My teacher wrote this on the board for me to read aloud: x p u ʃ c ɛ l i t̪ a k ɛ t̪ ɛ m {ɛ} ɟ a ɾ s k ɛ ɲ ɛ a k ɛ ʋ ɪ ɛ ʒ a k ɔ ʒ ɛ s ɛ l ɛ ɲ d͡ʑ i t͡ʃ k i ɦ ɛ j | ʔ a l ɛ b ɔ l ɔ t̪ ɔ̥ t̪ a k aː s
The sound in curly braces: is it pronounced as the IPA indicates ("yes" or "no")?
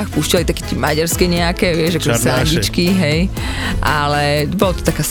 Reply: no